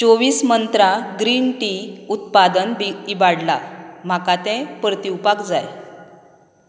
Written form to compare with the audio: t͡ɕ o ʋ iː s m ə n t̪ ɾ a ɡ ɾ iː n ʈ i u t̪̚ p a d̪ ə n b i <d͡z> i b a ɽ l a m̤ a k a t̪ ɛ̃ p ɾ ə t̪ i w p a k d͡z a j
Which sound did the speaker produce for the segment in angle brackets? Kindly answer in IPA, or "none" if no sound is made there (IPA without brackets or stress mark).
none